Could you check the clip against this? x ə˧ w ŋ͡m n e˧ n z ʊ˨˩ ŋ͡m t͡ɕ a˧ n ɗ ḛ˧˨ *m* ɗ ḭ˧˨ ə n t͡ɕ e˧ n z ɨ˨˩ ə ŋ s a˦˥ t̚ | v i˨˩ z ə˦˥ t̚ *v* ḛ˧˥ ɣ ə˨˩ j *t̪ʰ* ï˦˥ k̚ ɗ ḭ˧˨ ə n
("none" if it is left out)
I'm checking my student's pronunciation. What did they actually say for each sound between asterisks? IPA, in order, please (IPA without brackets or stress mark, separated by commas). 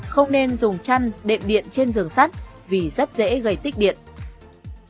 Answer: m, z, t̪